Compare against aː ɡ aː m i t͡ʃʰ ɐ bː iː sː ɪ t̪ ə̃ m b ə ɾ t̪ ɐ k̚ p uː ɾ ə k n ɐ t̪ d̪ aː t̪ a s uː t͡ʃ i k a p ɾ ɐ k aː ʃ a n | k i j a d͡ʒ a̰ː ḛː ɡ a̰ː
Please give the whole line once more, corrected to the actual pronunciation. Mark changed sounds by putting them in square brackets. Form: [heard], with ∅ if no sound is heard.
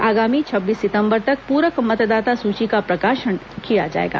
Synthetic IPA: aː ɡ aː m i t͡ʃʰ ɐ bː iː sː ɪ t̪ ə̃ m b ə ɾ t̪ ɐ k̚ p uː ɾ ə k [m] ɐ t̪ d̪ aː t̪ a s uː t͡ʃ i k a p ɾ ɐ k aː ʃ [ə] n | k i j a d͡ʒ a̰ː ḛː ɡ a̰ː